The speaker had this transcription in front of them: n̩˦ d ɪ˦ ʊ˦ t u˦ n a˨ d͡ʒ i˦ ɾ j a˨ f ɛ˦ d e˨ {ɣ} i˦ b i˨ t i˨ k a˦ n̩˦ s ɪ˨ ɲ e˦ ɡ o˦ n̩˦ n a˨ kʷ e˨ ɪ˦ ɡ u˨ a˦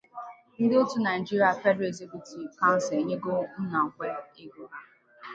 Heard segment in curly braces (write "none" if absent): z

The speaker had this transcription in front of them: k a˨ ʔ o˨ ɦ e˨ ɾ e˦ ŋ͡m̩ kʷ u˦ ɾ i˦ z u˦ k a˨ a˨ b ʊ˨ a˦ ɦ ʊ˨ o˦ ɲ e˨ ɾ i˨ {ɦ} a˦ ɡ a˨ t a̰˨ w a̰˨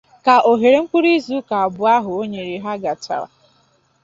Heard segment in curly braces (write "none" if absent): ɦ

